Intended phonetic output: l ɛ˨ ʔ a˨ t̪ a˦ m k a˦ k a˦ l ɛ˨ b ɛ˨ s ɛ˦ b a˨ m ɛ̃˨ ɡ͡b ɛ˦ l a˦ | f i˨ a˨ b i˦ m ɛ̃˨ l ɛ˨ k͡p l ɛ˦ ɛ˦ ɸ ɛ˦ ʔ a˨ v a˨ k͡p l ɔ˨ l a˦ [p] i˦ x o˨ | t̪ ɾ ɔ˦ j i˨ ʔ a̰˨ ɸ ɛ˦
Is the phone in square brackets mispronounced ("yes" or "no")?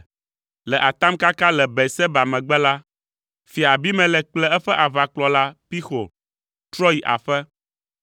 no